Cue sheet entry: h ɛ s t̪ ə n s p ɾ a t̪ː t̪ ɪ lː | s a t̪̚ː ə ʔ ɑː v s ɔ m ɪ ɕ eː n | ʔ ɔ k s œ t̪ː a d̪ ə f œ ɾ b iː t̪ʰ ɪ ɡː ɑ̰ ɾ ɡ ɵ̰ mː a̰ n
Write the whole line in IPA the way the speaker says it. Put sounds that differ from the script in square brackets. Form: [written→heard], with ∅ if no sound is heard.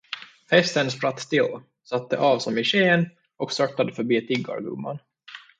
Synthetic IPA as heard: h ɛ s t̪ ə n s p ɾ a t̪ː t̪ ɪ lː | s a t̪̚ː ə ʔ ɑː v s ɔ m ɪ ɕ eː n | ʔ ɔ k s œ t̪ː a d̪ ə f œ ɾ b iː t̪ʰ ɪ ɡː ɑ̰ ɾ ɡ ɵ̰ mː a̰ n